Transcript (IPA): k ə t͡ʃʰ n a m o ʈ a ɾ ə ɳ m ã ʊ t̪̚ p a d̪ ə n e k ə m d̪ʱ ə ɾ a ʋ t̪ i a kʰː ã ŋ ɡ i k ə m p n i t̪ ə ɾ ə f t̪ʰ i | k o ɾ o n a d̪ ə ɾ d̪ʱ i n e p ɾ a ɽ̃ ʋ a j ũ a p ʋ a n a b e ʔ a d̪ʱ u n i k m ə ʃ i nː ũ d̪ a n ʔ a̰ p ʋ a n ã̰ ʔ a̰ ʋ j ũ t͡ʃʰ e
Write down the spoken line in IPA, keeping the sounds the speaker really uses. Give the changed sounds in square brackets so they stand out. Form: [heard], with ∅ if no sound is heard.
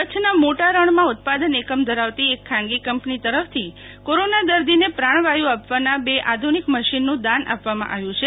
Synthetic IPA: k ə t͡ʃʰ n a m o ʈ a ɾ ə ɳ m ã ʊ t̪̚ p a d̪ ə n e k ə m d̪ʱ ə ɾ a ʋ t̪ i [e] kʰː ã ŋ ɡ i k ə m p n i t̪ ə ɾ ə f t̪ʰ i | k o ɾ o n a d̪ ə ɾ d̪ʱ i n e p ɾ a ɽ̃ ʋ a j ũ a p ʋ a n a b e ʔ a d̪ʱ u n i k m ə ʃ i nː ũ d̪ a n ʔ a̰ p ʋ a [m] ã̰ ʔ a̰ ʋ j ũ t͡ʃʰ e

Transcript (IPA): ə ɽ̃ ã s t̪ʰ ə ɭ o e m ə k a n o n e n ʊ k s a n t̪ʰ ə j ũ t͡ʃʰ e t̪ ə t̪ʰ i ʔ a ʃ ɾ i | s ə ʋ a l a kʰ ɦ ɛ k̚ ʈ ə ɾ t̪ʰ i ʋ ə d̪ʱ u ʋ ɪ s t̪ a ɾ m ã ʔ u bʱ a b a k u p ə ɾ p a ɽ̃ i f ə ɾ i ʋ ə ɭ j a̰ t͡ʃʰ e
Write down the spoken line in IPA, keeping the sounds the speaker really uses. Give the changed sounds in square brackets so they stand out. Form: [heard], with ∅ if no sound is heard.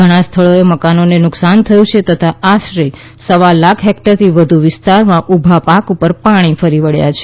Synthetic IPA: ə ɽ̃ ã s t̪ʰ ə ɭ o e m ə k a n o n e n ʊ k s a n t̪ʰ ə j ũ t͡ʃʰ e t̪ ə t̪ʰ [a] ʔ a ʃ ɾ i | s ə ʋ a l a kʰ ɦ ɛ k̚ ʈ ə ɾ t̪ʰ i ʋ ə d̪ʱ u ʋ ɪ s t̪ a ɾ m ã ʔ u bʱ a [p] a k u p ə ɾ p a ɽ̃ i f ə ɾ i ʋ ə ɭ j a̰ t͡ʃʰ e

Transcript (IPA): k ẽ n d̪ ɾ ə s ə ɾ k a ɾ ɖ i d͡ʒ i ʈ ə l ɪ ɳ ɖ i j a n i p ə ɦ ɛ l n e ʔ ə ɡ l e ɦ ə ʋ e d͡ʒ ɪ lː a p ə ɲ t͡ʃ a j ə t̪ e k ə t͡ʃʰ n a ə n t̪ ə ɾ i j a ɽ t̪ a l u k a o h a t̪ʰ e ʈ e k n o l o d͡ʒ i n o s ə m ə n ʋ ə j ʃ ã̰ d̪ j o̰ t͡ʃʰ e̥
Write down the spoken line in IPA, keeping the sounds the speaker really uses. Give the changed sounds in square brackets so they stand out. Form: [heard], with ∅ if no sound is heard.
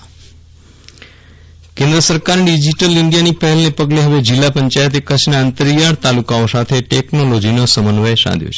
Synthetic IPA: k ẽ n d̪ ɾ ə s ə ɾ k a ɾ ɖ i d͡ʒ i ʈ ə l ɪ ɳ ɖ i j a n i p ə ɦ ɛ l n e [p] ə ɡ l e ɦ ə ʋ e d͡ʒ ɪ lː a p ə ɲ t͡ʃ a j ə t̪ e k ə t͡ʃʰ n a ə n t̪ ə ɾ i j a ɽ t̪ a l u k a o [s] a t̪ʰ e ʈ e k n o l o d͡ʒ i n o s ə m ə n ʋ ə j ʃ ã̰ d̪ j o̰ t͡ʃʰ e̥

